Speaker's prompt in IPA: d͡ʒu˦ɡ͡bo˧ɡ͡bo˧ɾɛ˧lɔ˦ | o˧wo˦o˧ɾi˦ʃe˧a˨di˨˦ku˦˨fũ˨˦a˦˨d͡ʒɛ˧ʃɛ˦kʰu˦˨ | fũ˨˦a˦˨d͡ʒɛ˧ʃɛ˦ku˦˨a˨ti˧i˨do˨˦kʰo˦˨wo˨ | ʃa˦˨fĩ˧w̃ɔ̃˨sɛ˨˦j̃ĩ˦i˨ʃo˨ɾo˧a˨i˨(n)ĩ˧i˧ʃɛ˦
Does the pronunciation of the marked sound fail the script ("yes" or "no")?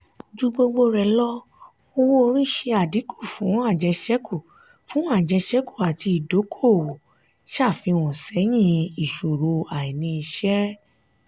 no